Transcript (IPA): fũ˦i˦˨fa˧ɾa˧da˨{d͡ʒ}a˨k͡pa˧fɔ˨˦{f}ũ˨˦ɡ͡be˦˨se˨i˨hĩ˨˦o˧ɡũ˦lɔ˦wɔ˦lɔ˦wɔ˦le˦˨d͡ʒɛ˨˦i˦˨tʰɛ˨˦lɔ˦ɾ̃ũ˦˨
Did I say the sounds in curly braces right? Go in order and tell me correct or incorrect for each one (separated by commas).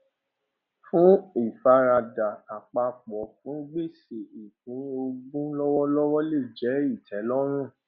incorrect, correct